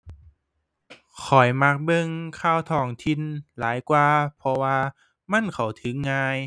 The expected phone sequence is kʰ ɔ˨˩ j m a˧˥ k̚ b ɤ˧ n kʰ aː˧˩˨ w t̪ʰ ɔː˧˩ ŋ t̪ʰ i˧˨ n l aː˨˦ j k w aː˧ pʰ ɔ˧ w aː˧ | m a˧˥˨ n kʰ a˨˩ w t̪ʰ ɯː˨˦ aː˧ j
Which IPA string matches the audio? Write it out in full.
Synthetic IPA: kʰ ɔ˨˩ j m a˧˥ k̚ b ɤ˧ ŋ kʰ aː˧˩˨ w t̪ʰ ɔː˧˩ ŋ t̪ʰ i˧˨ n l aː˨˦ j k w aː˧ pʰ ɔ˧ w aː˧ | m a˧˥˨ n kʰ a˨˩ w t̪ʰ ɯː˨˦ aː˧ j